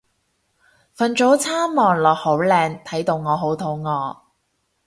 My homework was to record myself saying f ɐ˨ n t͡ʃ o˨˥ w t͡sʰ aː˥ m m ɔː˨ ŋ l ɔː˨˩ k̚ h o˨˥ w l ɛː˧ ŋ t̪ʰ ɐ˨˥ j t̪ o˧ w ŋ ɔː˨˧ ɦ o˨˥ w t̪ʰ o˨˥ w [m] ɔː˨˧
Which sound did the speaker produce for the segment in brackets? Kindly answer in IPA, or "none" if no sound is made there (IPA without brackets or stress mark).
ŋ